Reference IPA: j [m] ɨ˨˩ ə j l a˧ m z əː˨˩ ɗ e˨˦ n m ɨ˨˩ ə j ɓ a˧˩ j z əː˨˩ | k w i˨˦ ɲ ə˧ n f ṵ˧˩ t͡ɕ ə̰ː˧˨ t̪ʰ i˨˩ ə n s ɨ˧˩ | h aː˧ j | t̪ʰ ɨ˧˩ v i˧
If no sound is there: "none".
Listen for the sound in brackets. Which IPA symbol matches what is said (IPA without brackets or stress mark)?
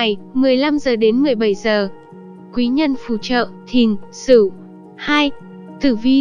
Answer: m